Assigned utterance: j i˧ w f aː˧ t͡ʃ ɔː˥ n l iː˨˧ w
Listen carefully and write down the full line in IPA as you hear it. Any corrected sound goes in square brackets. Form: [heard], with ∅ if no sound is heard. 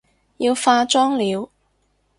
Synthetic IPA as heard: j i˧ w f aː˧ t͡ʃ ɔː˥ [ŋ] l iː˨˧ w